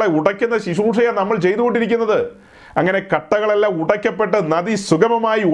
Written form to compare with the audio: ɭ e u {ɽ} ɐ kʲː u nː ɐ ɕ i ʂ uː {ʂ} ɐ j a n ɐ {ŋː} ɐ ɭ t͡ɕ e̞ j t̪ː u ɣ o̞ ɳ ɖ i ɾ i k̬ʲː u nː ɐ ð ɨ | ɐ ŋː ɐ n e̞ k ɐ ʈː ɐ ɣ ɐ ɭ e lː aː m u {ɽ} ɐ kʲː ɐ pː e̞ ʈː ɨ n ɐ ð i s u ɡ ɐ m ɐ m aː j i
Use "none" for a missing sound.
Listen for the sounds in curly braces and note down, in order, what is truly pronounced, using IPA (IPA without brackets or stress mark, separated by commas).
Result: ɽ, ʂ, mː, ɽ